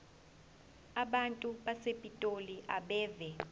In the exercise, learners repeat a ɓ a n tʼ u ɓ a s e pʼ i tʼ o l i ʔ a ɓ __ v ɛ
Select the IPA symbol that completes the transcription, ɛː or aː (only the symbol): ɛː